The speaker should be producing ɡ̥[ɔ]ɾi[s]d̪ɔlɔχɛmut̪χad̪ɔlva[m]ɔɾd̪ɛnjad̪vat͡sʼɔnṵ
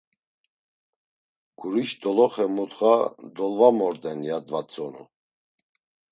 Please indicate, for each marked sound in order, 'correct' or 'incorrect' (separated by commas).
incorrect, incorrect, correct